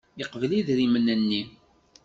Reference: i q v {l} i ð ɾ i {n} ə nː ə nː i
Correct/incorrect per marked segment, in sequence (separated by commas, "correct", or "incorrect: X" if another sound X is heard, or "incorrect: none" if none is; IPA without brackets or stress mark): correct, incorrect: m